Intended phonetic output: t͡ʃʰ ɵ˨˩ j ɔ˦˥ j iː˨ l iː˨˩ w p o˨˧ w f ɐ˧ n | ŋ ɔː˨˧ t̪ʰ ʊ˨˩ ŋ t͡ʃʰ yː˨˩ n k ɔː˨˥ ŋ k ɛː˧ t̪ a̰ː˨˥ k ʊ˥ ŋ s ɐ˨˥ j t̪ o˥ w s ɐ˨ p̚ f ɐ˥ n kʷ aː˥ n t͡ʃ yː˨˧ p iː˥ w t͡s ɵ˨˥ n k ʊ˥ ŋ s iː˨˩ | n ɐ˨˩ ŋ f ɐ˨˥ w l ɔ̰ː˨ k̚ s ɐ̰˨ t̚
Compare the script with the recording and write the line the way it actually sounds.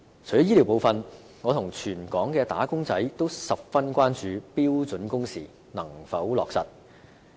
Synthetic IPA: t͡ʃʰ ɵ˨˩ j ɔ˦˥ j iː˥ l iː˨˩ w p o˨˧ w f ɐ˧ n | ŋ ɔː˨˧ t̪ʰ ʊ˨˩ ŋ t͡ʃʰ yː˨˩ n k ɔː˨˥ ŋ k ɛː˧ t̪ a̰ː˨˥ k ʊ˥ ŋ t͡s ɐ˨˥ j t̪ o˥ w s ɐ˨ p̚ f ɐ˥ n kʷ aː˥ n t͡ʃ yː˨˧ p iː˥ w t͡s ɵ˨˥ n k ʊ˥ ŋ s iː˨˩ | n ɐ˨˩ ŋ f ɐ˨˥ w l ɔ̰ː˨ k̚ s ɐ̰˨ t̚